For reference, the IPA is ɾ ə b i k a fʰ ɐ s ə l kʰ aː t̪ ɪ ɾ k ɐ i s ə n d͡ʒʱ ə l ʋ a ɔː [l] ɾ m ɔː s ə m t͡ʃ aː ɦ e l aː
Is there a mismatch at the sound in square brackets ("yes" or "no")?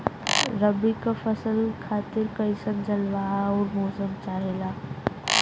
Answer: yes